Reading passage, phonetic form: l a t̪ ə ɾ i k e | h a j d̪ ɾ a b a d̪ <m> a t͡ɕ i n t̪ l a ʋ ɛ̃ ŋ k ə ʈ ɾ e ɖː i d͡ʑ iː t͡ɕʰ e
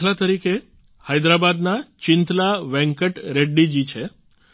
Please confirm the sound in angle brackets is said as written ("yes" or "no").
no